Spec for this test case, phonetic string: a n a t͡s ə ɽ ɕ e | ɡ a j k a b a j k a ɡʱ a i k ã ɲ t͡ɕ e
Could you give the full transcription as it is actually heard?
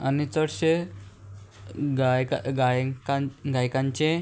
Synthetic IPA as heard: a n i t͡s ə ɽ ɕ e | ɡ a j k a ɡ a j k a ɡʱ a j k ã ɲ t͡ɕ e